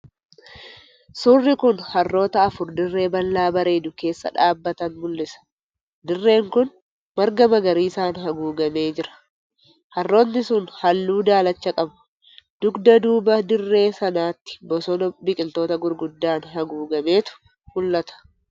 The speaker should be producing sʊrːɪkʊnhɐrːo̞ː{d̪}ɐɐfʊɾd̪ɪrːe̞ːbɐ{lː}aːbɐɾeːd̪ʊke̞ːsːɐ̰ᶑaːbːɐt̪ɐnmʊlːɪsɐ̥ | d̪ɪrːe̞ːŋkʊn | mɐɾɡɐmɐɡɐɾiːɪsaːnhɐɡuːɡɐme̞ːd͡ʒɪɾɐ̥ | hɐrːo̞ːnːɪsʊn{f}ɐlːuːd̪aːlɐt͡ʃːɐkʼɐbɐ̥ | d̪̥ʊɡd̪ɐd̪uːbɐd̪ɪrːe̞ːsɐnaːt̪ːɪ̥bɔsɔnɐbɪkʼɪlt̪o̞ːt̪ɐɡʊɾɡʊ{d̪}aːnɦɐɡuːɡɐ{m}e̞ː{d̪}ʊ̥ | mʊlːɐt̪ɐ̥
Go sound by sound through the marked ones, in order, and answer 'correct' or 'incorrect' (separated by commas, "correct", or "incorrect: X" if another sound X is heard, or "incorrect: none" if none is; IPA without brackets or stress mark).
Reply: incorrect: t̪, correct, incorrect: h, incorrect: d̪ː, correct, incorrect: t̪